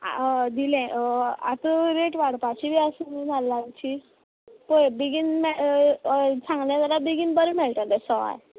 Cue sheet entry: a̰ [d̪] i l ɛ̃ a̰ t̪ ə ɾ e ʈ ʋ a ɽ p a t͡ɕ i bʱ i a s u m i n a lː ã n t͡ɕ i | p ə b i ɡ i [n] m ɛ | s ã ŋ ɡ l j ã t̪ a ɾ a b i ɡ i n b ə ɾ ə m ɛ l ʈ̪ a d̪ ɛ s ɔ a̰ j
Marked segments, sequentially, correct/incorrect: correct, correct

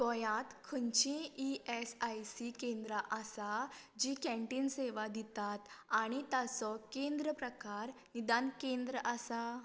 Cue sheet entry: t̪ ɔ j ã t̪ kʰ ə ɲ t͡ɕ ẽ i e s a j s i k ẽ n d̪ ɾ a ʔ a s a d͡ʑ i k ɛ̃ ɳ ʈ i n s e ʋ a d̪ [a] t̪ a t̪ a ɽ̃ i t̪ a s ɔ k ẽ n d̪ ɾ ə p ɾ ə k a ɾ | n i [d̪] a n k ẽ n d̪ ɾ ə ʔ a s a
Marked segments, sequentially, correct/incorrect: incorrect: i, correct

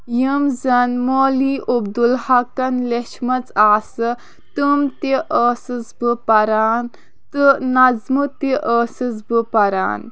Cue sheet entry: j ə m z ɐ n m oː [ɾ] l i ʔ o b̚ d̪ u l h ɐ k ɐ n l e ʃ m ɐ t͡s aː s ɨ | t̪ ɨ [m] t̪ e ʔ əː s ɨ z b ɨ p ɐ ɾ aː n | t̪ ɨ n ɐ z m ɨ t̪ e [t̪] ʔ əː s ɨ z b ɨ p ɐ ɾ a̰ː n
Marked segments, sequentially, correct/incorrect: incorrect: none, correct, incorrect: none

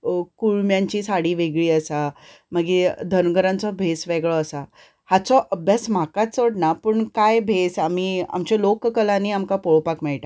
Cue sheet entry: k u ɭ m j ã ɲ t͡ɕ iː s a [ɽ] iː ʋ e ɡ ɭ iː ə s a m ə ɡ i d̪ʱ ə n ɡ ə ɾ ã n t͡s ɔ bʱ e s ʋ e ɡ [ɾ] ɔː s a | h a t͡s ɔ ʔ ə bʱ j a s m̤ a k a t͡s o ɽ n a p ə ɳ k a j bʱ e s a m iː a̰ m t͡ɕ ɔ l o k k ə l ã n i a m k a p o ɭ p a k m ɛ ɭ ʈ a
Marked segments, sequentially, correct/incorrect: correct, incorrect: ɭ

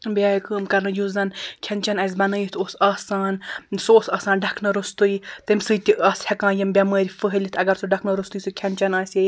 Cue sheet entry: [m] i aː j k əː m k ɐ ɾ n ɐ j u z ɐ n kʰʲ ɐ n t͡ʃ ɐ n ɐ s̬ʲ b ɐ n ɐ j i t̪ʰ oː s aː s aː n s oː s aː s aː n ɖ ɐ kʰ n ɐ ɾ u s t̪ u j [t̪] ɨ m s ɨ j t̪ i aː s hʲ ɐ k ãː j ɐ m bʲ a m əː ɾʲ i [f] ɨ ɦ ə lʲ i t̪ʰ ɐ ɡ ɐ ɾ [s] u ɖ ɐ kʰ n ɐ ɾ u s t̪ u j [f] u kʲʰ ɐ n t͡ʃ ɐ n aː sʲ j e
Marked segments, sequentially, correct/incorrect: incorrect: b, correct, correct, correct, incorrect: s

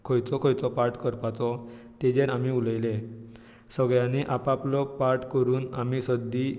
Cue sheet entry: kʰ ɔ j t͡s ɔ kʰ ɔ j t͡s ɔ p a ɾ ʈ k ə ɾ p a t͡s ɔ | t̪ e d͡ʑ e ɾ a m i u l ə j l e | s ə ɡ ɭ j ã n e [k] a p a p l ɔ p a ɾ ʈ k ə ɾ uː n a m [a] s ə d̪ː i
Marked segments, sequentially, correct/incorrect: incorrect: ʔ, incorrect: i

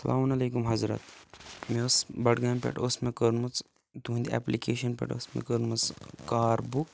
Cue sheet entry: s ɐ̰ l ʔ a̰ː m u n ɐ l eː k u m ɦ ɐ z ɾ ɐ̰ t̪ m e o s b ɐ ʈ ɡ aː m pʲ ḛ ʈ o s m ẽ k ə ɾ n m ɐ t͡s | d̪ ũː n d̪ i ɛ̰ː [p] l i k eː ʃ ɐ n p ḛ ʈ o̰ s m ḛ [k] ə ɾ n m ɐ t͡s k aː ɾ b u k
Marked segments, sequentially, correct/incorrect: correct, correct

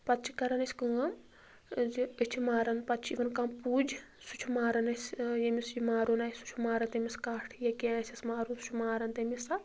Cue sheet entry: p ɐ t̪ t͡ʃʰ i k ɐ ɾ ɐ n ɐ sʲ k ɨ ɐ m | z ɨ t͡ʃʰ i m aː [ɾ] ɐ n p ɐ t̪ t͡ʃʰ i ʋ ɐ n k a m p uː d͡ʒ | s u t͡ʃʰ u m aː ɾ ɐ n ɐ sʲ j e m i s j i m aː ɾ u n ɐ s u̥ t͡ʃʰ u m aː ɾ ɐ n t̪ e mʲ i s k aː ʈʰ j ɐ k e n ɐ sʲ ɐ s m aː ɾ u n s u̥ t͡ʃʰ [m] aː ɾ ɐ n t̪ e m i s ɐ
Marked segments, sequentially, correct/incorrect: correct, correct

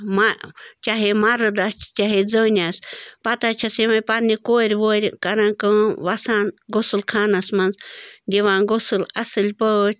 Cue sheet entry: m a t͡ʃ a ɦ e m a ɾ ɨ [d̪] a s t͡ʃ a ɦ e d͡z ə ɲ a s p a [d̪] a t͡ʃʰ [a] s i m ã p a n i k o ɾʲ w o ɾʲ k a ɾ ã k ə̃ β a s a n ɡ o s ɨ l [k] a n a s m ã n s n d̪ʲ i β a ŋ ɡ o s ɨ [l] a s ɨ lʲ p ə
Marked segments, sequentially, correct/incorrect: correct, incorrect: t̪, correct, incorrect: kʰ, correct

